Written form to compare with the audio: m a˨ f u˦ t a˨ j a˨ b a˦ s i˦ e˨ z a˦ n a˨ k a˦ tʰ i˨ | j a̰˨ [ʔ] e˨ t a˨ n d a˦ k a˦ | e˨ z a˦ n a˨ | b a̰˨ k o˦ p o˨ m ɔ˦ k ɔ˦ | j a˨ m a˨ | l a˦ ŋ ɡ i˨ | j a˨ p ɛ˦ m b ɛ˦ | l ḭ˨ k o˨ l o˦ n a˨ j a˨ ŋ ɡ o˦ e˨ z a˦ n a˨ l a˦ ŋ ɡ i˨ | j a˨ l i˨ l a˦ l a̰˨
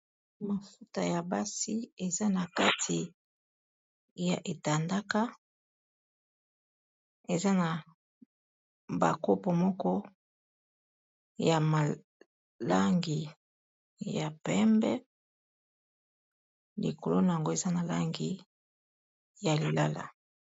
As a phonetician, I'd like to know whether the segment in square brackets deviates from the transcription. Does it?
no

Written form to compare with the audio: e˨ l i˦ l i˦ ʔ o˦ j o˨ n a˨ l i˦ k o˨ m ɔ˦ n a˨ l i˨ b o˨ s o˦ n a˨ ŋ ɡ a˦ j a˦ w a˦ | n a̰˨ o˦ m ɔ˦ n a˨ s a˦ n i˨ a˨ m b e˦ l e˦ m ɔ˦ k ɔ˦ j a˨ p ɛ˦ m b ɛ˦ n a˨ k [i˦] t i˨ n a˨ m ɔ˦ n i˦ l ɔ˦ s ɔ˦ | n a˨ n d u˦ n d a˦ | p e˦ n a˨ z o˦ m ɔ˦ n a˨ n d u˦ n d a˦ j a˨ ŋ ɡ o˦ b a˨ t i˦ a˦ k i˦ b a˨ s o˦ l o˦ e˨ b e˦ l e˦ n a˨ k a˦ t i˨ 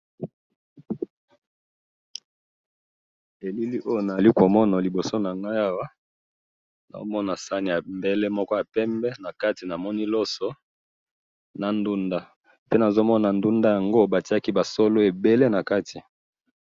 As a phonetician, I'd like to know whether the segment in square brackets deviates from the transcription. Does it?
yes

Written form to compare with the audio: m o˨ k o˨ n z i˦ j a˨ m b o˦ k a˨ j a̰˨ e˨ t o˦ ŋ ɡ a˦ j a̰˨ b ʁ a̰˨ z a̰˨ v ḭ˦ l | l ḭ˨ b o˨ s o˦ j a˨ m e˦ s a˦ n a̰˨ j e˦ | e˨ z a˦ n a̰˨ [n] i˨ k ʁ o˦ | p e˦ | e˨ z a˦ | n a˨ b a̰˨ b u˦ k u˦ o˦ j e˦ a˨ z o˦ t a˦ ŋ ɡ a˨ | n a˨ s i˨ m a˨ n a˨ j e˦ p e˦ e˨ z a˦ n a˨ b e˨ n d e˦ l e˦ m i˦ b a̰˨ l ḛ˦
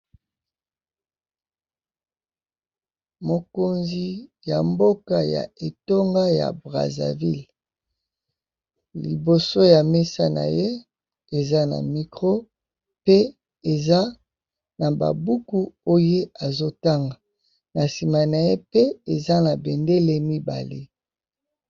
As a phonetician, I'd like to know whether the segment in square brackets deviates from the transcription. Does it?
yes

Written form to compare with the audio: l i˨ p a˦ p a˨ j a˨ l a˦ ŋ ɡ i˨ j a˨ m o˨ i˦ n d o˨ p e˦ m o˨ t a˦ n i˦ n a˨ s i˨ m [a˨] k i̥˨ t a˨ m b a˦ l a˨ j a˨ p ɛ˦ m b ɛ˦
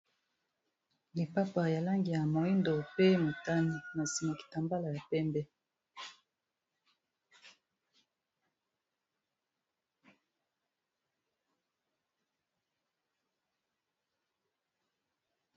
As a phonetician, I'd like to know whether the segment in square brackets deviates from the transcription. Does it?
no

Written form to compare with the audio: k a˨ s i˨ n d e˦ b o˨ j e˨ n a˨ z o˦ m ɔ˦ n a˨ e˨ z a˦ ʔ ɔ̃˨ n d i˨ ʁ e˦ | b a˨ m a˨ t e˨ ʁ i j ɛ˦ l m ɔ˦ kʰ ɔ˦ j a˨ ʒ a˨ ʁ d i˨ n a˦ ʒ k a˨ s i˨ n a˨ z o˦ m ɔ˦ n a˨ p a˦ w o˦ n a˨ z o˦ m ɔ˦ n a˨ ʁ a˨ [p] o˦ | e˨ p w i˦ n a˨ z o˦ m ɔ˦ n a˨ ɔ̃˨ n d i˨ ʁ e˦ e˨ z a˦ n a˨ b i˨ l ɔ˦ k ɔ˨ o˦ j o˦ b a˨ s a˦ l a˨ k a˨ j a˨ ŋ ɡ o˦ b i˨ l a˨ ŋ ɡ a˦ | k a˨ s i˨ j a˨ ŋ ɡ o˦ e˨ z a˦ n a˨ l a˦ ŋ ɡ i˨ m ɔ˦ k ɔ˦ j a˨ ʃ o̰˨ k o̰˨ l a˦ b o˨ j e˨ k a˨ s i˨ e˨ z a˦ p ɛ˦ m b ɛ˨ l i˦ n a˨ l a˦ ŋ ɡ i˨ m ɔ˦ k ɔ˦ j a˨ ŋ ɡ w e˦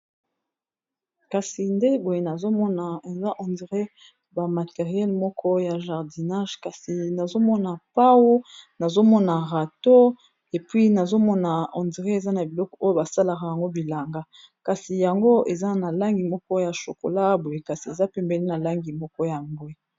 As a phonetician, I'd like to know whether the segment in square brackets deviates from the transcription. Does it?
yes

